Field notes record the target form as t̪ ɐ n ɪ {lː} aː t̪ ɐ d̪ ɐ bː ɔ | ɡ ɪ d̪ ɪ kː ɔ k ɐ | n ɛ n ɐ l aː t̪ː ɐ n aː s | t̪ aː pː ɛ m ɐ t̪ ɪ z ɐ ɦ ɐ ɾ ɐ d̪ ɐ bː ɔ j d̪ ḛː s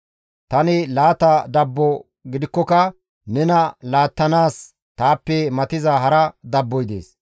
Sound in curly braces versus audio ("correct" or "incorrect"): incorrect